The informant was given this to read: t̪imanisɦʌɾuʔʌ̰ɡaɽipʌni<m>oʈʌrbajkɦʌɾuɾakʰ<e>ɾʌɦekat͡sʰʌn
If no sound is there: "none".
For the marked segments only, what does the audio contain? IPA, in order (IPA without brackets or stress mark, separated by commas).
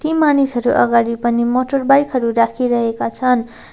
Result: m, i